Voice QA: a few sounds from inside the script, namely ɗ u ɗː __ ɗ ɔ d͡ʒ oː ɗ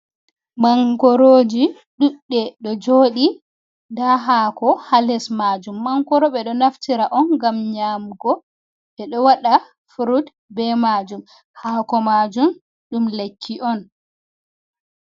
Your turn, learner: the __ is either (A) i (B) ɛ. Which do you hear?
B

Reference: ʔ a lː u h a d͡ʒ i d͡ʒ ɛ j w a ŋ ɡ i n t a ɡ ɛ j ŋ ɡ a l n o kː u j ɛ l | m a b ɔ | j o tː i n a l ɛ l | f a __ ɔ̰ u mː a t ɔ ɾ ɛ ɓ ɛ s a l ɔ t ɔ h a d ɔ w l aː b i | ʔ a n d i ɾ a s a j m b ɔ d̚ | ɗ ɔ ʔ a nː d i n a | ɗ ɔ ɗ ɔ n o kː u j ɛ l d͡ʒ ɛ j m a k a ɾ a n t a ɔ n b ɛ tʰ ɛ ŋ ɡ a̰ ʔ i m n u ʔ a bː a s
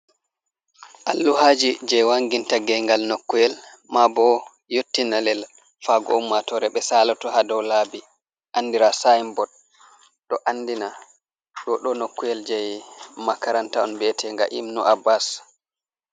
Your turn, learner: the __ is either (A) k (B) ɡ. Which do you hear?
B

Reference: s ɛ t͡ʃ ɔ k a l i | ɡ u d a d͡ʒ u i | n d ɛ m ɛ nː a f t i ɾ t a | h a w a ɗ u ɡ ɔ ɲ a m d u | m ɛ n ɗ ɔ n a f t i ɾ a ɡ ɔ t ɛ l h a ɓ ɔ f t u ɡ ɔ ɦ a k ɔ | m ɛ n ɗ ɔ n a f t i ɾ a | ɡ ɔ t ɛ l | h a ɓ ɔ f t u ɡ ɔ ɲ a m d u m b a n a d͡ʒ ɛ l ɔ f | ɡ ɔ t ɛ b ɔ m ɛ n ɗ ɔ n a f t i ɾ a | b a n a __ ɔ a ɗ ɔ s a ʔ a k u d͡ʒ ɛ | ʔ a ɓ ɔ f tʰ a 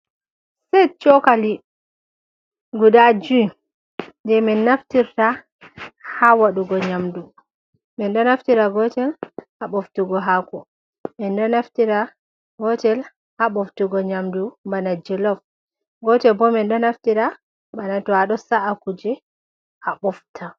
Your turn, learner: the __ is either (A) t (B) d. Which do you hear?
A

